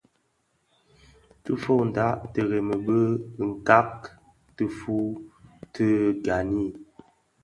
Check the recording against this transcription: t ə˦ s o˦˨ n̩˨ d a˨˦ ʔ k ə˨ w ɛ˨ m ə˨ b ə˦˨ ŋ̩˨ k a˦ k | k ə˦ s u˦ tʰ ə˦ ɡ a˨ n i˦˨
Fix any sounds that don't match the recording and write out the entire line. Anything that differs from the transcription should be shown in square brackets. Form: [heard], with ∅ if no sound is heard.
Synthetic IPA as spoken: t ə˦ [f] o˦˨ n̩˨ d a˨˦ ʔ [t] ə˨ [ɣ] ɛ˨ m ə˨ b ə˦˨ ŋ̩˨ k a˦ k | [t] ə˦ [f] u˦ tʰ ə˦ ɡ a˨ n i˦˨